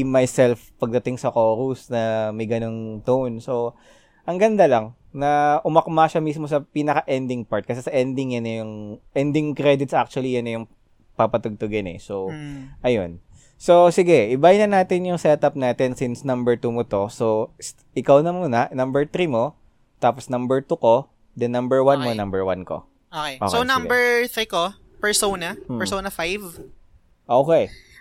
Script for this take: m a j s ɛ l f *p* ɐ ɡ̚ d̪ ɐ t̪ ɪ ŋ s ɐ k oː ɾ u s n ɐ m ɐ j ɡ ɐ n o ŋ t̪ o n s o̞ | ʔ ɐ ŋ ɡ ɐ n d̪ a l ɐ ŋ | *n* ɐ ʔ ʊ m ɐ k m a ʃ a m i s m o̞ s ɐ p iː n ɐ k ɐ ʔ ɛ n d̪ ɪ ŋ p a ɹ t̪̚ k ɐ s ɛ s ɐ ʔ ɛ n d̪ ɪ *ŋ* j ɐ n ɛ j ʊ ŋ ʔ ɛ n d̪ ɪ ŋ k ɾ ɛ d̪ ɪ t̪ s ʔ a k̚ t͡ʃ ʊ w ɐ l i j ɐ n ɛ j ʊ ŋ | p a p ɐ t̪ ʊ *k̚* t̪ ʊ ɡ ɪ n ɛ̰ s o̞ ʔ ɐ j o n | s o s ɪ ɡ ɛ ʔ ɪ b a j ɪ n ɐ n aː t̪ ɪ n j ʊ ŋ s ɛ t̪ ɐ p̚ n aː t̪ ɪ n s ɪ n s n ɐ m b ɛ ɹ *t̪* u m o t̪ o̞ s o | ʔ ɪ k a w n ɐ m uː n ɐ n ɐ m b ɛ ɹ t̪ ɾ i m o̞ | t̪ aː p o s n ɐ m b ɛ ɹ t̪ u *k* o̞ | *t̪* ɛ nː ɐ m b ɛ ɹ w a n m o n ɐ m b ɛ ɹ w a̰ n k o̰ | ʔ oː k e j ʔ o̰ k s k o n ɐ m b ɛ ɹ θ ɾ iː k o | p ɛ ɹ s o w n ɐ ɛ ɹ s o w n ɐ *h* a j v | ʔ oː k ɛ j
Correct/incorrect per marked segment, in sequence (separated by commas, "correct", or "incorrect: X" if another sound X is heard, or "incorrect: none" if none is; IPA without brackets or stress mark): correct, correct, correct, incorrect: ɡ̚, correct, correct, incorrect: d̪, incorrect: f